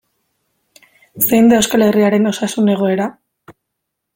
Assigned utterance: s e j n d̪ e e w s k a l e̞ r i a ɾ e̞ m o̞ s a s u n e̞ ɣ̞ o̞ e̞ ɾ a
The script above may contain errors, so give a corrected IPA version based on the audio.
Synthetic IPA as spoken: s e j n d̪ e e w s k a l e̞ r i a ɾ e̞ n o̞ s a s u n e̞ ɣ̞ o̞ e̞ ɾ a